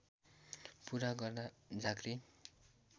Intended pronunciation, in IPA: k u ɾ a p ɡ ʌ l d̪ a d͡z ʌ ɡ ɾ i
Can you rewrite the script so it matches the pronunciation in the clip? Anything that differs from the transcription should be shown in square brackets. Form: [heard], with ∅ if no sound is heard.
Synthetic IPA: [p] u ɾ a [∅] ɡ ʌ [r] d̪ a d͡z [a] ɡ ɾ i